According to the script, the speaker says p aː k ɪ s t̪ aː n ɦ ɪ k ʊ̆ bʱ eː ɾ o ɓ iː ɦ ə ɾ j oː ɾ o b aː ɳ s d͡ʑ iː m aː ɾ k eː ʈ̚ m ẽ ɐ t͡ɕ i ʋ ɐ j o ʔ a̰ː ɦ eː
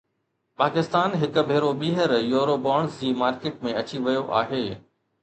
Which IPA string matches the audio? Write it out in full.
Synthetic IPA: p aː k ɪ s t̪ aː n ɦ ɪ k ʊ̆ bʱ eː ɾ o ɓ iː ɦ ə ɾ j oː ɾ o b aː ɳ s d͡ʑ iː m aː ɾ k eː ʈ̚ m ẽ ɐ t͡ɕ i ʋ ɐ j o ʔ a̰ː ɦ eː